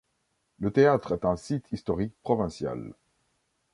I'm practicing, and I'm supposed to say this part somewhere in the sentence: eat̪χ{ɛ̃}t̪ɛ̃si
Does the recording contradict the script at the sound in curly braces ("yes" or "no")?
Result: yes